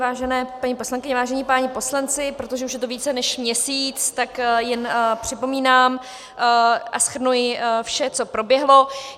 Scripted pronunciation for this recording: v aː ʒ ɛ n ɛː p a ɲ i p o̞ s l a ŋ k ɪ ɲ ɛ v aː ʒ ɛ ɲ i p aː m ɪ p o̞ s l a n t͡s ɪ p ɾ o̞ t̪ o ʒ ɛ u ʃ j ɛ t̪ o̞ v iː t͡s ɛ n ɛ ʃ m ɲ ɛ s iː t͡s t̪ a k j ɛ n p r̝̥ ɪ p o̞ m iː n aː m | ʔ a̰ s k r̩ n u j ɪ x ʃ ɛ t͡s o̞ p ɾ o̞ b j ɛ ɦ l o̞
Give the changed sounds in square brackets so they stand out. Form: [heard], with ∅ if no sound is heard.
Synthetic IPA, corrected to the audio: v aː ʒ ɛ n ɛː p a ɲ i p o̞ s l a ŋ k ɪ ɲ ɛ v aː ʒ ɛ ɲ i p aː [ɲ] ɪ p o̞ s l a n t͡s ɪ p ɾ o̞ t̪ o ʒ ɛ u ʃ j ɛ t̪ o̞ v iː t͡s ɛ n ɛ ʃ m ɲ ɛ s iː t͡s t̪ a k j ɛ n p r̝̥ ɪ p o̞ m iː n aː m | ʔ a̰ s [x] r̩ n u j ɪ [f] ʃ ɛ t͡s o̞ p ɾ o̞ b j ɛ ɦ l o̞